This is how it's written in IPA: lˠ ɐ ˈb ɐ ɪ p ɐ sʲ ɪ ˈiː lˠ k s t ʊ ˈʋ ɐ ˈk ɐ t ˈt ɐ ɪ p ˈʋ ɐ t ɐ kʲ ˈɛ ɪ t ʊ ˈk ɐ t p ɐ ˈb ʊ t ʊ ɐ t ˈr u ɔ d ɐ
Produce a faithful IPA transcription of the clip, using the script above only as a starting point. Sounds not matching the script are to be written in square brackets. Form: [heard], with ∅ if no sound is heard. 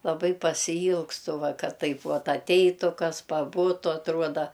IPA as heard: lˠ ɐ ˈb ɐ ɪ p ɐ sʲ ɪ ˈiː lˠ k s t ʊ ˈʋ ɐ ˈk ɐ t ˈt ɐ ɪ p ˈʋ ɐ t ɐ [tʲ] ˈɛ ɪ t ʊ ˈk ɐ [s] p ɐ ˈb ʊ t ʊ ɐ t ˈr u ɔ d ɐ